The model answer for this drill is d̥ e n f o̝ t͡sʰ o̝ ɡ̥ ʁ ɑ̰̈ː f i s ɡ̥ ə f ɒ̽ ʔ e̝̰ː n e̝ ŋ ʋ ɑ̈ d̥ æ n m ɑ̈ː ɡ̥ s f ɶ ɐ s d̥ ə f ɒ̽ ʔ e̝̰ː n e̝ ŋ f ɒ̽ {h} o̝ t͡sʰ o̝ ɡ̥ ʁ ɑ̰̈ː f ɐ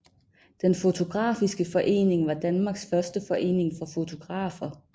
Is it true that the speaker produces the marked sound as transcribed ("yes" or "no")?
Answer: no